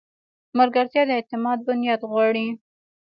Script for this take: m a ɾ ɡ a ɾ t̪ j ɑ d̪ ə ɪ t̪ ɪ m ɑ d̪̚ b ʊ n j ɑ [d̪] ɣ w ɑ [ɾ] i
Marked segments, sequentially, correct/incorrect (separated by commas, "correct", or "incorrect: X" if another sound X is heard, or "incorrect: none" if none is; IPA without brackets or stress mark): correct, incorrect: ɽ